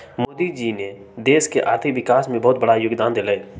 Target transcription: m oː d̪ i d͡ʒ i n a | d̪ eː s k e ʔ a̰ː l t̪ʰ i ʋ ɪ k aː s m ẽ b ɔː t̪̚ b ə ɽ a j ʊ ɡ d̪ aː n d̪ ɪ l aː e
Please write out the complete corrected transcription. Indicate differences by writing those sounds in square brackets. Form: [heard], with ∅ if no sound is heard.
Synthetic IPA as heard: m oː d̪ i d͡ʒ i n [e] | d̪ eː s k e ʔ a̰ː [ɾ] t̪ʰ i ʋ ɪ k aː s m ẽ b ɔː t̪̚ b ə ɽ a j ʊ ɡ d̪ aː n d̪ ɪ l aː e